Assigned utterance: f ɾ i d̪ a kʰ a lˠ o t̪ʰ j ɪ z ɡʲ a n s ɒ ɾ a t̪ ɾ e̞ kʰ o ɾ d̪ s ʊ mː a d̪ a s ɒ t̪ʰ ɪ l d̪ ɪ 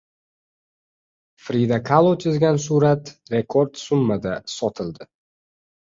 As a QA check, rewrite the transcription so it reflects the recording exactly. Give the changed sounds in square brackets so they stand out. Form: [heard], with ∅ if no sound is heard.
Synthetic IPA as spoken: f ɾ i d̪ a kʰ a lˠ o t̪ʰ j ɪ z ɡʲ a n s [u] ɾ a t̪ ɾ e̞ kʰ o ɾ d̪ s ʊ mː a d̪ a s ɒ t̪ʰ ɪ l d̪ ɪ